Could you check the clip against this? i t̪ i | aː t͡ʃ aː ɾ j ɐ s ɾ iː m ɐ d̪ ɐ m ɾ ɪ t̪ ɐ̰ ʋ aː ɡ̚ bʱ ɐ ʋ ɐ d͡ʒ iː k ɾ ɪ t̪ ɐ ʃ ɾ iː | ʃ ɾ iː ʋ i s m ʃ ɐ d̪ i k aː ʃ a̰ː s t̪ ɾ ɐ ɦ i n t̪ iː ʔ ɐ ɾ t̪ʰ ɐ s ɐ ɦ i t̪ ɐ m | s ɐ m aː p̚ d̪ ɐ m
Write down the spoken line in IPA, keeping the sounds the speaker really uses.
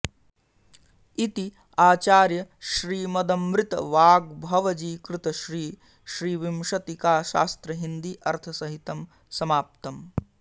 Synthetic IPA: i t̪ i | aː t͡ʃ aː ɾ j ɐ ʃ ɾ iː m ɐ d̪ ɐ m ɾ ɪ t̪ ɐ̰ ʋ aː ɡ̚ bʱ ɐ ʋ ɐ d͡ʒ iː k ɾ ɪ t̪ ɐ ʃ ɾ iː | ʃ ɾ iː ʋ i m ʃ ɐ t̪ i k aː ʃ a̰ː s t̪ ɾ ɐ ɦ i n d̪ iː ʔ ɐ ɾ t̪ʰ ɐ s ɐ ɦ i t̪ ɐ m | s ɐ m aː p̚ t̪ ɐ m